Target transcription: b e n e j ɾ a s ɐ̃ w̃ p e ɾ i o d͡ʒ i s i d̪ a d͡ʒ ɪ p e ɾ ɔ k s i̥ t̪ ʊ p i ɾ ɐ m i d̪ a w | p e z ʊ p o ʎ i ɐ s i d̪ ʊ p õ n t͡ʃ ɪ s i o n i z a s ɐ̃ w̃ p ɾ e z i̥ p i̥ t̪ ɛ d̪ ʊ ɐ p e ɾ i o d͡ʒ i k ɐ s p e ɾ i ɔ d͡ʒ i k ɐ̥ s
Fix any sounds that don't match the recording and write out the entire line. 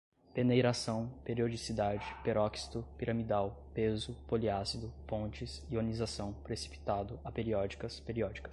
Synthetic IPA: p e n e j ɾ a s ɐ̃ w̃ p e ɾ i o d͡ʒ i s i d̪ a d͡ʒ ɪ p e ɾ ɔ k s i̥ t̪ ʊ p i ɾ ɐ m i d̪ a w | p e z ʊ p o l i a s i d̪ ʊ p õ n t͡ʃ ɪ s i o n i z a s ɐ̃ w̃ p ɾ e s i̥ p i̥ t̪ a d̪ ʊ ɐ p e ɾ i ɔ d͡ʒ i k ɐ s p e ɾ i ɔ d͡ʒ i k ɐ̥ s